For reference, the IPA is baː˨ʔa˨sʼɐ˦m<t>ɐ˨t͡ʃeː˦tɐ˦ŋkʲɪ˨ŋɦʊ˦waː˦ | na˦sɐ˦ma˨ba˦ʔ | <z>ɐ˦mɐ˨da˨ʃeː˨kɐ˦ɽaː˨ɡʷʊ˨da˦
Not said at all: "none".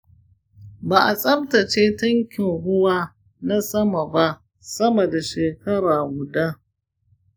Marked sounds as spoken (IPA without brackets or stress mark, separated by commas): t, s